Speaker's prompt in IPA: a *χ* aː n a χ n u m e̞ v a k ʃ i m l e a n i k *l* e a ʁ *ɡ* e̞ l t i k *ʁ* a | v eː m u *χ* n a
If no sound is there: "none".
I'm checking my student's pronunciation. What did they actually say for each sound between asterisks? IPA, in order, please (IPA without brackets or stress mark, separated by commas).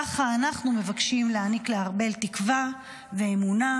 χ, l, b, v, none